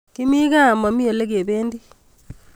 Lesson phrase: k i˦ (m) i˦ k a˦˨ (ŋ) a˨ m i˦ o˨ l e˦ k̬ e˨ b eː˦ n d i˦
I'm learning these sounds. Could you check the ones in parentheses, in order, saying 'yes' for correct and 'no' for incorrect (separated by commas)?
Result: yes, no